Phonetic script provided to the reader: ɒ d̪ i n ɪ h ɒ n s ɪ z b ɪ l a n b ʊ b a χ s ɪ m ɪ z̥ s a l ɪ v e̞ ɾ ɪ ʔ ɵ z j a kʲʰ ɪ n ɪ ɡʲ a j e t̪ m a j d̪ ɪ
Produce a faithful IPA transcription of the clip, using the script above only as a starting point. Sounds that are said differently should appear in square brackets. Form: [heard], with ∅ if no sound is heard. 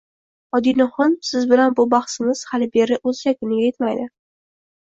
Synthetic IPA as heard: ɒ d̪ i n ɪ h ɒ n s ɪ z b ɪ l a n b ʊ b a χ s ɪ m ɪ z̥ [h] a l ɪ [b] e̞ ɾ ɪ ʔ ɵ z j a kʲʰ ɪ n ɪ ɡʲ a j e t̪ m a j d̪ ɪ